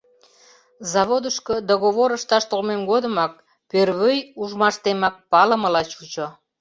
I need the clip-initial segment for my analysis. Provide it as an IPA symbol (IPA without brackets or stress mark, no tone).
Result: z